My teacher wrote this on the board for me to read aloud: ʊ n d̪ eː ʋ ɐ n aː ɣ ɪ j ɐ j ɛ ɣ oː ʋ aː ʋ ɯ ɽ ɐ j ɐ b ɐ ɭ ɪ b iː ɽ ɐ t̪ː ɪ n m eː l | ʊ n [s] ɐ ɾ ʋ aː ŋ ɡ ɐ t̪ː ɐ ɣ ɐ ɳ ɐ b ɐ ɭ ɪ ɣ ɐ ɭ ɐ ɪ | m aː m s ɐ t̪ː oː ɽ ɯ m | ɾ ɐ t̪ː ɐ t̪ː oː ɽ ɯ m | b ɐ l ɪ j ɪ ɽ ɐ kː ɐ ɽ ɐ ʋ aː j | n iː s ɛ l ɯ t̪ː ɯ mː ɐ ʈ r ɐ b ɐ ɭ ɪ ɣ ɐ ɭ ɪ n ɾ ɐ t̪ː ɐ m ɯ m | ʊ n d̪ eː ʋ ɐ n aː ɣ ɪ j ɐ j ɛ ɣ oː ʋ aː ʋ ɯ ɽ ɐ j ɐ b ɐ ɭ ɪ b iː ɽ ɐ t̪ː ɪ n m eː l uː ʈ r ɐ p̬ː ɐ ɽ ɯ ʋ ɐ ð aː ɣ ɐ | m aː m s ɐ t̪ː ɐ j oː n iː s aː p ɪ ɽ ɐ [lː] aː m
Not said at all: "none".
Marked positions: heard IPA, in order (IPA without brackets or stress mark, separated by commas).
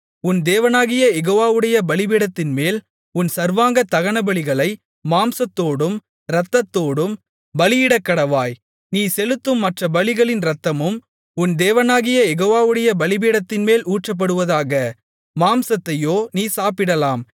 s, l